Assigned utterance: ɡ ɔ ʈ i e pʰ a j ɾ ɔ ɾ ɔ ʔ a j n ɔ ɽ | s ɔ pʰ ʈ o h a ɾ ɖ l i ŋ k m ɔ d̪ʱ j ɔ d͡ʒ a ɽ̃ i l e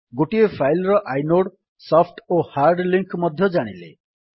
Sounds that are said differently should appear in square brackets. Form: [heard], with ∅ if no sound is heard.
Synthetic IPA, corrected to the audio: ɡ [o] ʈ i e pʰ a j [l] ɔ ɾ ɔ ʔ a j n [o] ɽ | s ɔ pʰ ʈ o h a ɾ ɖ l i ŋ k m ɔ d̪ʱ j ɔ d͡ʒ a ɽ̃ i l e